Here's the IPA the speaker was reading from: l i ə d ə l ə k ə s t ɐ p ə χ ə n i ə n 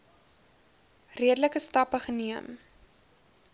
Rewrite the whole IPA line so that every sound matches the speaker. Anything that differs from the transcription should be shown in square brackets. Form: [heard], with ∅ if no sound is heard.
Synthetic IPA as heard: [r] i ə d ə l ə k ə s t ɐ p ə χ ə n i ə [m]